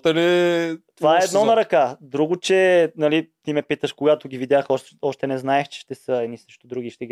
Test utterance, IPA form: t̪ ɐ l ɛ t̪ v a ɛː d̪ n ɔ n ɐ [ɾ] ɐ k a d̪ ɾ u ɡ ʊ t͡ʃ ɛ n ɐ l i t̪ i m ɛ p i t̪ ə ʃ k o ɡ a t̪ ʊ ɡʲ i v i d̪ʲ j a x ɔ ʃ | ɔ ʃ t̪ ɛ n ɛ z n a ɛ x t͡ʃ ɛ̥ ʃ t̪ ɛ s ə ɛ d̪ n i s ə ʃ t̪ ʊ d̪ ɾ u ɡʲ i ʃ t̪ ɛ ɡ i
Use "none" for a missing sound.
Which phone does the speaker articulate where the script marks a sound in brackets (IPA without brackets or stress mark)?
ɾ